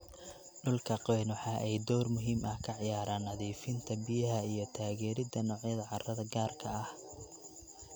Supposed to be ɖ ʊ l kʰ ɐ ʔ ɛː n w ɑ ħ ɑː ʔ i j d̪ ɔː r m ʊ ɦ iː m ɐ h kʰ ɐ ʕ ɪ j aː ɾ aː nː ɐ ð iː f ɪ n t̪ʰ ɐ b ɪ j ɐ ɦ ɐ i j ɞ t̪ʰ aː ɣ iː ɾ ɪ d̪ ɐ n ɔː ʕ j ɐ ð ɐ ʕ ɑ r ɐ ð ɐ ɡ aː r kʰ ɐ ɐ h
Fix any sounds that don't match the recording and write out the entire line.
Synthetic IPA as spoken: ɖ ʊ l kʰ ɐ q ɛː n w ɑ ħ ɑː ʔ ɛ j d̪ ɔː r m ʊ ɦ iː m ɐ h kʰ ɐ ʕ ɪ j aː ɾ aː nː ɐ ð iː f ɪ n t̪ʰ ɐ b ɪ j ɐ ɦ ɐ i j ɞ t̪ʰ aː ɣ ɛː ɾ ɪ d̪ ɐ n ɔː ʕ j ɐ ð ɐ ʕ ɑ r ɐ ð ɐ ɡ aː r kʰ ɐ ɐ h

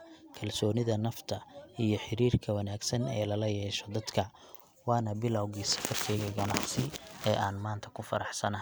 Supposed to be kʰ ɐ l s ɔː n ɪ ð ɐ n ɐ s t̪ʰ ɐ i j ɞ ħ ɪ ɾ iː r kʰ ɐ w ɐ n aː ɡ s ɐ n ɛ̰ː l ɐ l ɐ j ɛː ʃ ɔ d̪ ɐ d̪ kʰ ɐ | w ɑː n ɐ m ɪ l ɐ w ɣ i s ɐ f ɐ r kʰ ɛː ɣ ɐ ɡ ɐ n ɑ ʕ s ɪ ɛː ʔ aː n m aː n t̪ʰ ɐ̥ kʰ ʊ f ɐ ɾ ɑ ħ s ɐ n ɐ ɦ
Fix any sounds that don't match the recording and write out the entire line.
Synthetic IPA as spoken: kʰ ɐ l s ɔː n ɪ ð ɐ n ɐ f t̪ʰ ɐ i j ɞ ħ ɪ ɾ iː r kʰ ɐ w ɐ n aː ɡ s ɐ n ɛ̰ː l ɐ l ɐ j ɛː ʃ ɔ d̪ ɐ d̪ kʰ ɐ | w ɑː n ɐ b ɪ l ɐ w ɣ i s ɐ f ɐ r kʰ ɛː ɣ ɐ ɡ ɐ n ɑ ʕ s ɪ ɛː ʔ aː n m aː n t̪ʰ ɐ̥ kʰ ʊ f ɐ ɾ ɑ ħ s ɐ n ɐ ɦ

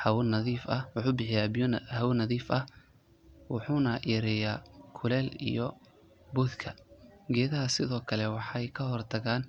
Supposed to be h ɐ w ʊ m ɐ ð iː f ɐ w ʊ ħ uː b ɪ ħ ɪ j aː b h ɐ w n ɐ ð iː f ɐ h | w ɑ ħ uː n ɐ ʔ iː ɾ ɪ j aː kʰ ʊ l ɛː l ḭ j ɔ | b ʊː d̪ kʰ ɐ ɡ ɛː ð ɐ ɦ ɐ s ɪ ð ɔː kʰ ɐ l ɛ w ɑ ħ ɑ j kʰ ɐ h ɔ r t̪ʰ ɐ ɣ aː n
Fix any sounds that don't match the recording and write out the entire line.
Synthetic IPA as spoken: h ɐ w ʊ n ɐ ð iː f ɐ w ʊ ħ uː b ɪ ħ ɪ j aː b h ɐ w n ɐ ð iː f ɐ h | w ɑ ħ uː n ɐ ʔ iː ɾ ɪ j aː kʰ ʊ l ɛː l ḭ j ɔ | b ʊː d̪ kʰ ɐ ɡ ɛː ð ɐ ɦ ɐ s ɪ ð ɔː kʰ ɐ l ɛ w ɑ ħ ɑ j kʰ ɐ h ɔ r t̪ʰ ɐ ɣ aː n

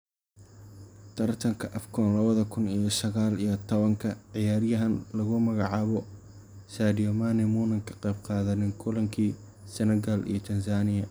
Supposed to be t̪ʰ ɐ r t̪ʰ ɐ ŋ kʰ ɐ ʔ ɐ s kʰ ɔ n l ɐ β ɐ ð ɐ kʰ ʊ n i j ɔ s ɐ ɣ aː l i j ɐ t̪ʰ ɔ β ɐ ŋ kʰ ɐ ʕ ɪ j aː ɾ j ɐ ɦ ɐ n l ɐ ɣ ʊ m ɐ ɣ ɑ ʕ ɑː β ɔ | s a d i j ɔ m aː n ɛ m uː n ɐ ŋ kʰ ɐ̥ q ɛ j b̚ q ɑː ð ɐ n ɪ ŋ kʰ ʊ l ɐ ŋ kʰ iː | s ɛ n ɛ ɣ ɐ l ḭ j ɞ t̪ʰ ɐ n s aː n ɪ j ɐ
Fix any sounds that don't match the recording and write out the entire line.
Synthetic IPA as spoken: t̪ʰ ɐ r t̪ʰ ɐ ŋ kʰ ɐ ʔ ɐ f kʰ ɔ n l ɐ β ɐ ð ɐ kʰ ʊ n i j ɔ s ɐ ɣ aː l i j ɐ t̪ʰ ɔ β ɐ ŋ kʰ ɐ ʕ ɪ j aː ɾ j ɐ ɦ ɐ n l ɐ ɣ ʊ m ɐ ɣ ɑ ʕ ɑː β ɔ | s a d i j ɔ m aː n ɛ m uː n ɐ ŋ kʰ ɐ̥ q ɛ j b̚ q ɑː ð ɐ n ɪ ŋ kʰ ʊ l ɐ ŋ kʰ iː | s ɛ n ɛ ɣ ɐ l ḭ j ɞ t̪ʰ ɐ n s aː n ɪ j ɐ

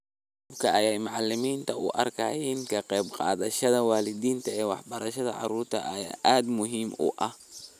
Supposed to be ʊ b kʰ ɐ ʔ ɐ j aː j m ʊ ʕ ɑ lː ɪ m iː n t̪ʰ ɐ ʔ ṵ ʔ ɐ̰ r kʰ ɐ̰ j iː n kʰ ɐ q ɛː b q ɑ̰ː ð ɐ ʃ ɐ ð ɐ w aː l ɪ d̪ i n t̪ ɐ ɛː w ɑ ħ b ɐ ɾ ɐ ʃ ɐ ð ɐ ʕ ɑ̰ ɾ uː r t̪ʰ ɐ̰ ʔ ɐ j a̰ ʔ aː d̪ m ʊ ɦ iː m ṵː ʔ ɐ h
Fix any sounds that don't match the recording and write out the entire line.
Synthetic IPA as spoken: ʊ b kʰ ɐ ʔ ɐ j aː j m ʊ ʕ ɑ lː ɪ m iː n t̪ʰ ɐ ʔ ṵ ʔ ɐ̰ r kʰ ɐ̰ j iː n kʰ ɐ q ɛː b q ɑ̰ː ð ɐ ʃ ɐ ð ɐ w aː l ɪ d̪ iː n t̪ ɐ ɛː w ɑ ħ b ɐ ɾ ɐ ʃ ɐ ð ɐ ʕ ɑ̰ ɾ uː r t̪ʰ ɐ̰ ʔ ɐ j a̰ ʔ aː d̪ m ʊ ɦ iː m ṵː ʔ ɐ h

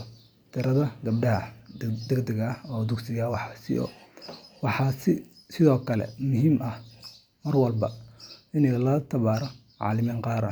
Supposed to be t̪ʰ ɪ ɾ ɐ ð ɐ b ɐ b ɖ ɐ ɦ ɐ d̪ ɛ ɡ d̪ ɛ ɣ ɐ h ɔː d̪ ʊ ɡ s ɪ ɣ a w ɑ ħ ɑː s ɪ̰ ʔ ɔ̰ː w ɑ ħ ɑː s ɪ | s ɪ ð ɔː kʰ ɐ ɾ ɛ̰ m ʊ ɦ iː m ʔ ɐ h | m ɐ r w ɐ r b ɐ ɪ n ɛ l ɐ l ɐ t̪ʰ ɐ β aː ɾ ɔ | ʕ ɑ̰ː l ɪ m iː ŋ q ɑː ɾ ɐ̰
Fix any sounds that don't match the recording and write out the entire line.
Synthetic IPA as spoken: t̪ʰ ɪ ɾ ɐ ð ɐ ɡ ɐ b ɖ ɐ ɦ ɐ d̪ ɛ ɡ d̪ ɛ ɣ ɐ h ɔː d̪ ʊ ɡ s ɪ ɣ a w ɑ ħ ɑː s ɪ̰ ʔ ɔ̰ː w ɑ ħ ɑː s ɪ | s ɪ ð ɔː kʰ ɐ l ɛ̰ m ʊ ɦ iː m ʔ ɐ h | m ɐ r w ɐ l b ɐ ɪ n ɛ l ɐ l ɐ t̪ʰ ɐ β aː ɾ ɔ | ʕ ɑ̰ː l ɪ m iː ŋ q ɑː ɾ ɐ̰

